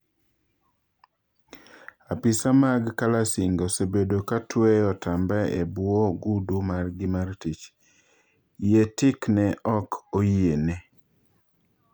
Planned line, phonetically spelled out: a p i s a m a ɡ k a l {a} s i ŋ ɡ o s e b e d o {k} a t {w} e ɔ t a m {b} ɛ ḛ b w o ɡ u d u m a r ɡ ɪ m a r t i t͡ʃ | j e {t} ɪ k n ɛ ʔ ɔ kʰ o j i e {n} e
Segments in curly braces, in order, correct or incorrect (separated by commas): correct, correct, correct, correct, correct, correct